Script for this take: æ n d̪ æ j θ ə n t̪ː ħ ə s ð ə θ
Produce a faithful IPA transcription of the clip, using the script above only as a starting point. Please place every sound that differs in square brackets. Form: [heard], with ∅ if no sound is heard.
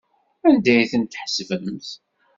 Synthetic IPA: æ n d̪ æ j θ ə n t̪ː ħ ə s [v] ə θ